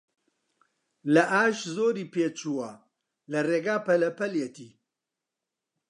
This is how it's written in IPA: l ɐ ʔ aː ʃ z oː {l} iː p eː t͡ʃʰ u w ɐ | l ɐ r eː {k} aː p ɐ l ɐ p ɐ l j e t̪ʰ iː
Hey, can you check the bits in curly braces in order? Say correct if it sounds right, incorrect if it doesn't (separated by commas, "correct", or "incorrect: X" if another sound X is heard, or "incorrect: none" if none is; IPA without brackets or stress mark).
incorrect: ɾ, incorrect: ɡ